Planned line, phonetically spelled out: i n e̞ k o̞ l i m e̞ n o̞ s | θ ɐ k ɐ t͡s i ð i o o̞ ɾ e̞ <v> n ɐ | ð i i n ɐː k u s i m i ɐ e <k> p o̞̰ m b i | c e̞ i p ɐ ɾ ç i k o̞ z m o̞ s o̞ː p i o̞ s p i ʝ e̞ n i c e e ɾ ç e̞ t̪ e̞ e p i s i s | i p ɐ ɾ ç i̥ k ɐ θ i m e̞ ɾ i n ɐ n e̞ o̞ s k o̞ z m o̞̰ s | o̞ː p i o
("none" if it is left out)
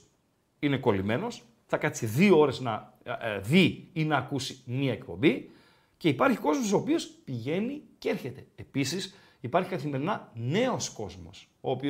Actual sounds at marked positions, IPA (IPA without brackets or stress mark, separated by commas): z, k